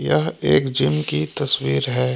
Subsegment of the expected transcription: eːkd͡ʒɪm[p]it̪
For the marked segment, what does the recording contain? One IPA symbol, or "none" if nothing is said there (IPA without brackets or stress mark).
k